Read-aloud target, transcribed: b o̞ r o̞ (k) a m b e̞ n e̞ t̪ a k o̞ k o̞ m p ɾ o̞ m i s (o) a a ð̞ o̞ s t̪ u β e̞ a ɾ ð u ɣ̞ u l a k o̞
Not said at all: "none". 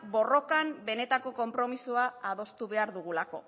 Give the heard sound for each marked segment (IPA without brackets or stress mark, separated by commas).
k, u